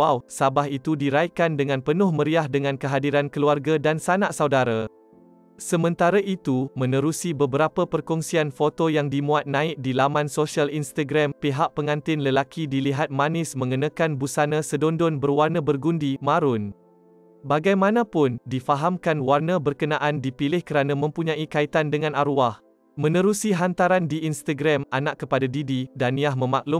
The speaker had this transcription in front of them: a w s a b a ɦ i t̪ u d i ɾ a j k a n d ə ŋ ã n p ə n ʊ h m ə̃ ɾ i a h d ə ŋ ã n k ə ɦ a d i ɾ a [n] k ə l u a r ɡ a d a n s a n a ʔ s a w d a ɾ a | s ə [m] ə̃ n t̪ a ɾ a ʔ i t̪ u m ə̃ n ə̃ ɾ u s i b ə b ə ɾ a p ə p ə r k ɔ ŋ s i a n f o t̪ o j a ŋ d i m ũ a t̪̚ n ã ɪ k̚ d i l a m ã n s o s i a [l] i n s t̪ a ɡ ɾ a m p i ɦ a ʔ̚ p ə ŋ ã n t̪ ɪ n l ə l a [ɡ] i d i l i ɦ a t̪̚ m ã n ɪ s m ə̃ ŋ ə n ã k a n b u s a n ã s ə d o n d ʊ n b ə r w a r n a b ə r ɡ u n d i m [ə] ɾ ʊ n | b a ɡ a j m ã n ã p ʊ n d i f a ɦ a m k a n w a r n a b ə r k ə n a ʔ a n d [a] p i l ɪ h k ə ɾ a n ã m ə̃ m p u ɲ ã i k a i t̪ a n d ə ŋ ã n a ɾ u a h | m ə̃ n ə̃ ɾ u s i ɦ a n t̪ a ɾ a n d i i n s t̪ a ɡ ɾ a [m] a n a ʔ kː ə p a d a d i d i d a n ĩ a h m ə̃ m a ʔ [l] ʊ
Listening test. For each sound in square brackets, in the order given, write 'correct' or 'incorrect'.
correct, correct, correct, incorrect, incorrect, incorrect, correct, correct

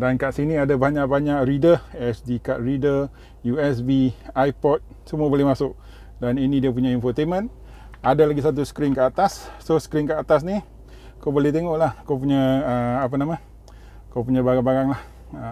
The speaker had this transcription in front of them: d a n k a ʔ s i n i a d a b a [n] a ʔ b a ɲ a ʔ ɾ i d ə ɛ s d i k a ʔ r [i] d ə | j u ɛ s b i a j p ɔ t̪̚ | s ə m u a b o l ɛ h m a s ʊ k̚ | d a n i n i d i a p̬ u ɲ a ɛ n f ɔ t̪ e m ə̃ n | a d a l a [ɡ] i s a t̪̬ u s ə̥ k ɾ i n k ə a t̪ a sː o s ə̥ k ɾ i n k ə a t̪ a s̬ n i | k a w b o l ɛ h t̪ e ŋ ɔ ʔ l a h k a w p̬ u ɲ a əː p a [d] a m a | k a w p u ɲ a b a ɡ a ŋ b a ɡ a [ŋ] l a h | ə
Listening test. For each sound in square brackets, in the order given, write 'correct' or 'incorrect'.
incorrect, correct, correct, incorrect, correct

